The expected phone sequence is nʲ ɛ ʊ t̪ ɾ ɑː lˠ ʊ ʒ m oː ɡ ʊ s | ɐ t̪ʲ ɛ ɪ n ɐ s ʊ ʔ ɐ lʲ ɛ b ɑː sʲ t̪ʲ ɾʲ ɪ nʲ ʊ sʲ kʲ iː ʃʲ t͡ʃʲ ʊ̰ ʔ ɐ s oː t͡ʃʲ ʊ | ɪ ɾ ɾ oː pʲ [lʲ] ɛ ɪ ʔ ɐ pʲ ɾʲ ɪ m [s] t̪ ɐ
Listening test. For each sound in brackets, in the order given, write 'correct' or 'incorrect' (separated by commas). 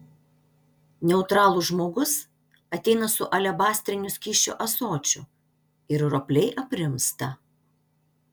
correct, correct